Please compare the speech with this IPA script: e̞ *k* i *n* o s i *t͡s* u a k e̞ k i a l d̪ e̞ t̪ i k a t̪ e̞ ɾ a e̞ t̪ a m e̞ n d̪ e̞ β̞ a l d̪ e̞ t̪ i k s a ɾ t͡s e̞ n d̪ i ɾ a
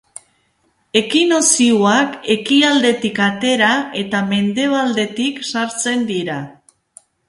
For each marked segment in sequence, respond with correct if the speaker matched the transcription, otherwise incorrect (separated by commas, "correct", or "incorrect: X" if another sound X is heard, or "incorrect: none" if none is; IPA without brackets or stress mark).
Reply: correct, correct, incorrect: none